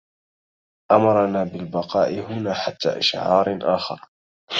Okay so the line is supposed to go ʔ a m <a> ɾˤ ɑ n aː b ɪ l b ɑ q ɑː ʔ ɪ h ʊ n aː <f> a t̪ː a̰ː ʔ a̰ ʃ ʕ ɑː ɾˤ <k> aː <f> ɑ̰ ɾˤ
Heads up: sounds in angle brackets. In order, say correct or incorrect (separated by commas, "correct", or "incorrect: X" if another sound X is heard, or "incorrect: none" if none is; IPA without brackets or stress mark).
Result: incorrect: ɑ, incorrect: ħ, incorrect: ʔ, incorrect: x